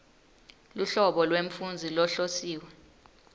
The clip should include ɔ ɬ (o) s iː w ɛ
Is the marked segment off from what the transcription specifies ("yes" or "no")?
no